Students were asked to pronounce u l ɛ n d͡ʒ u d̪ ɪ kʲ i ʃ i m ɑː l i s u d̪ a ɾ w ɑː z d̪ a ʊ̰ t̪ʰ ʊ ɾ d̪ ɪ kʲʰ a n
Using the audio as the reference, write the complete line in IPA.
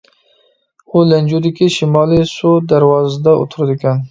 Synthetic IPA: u l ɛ n d͡ʒ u d̪ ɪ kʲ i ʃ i m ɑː l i s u d̪ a ɾ w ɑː z d̪ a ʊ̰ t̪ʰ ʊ ɾ d̪ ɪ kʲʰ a n

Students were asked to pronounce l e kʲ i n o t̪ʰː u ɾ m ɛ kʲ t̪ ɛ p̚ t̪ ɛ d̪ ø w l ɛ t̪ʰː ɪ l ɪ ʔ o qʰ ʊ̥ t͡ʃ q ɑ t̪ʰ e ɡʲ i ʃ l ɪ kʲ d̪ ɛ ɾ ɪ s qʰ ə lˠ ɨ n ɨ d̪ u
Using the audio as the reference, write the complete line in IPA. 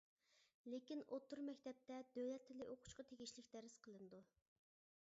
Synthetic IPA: l e kʲ i n o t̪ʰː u ɾ m ɛ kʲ t̪ ɛ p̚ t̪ ɛ d̪ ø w l ɛ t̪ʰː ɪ l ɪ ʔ o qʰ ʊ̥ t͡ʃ q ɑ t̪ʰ e ɡʲ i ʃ l ɪ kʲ d̪ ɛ ɾ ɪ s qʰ ə lˠ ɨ n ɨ d̪ u

